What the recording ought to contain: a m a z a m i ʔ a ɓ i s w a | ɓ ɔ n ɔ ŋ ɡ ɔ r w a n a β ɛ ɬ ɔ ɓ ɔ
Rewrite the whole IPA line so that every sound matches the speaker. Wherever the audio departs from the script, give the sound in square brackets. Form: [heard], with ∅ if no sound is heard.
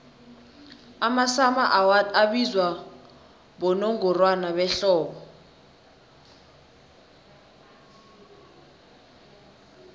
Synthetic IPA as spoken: a m a [s] a m [a] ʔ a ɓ i [z] w a | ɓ ɔ n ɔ ŋ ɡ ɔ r w a n a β ɛ ɬ [ɔː] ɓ ɔ